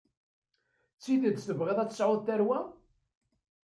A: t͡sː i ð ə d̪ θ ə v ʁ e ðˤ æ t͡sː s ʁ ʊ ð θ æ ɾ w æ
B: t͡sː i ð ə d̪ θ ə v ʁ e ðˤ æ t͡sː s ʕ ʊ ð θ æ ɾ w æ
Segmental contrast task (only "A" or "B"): B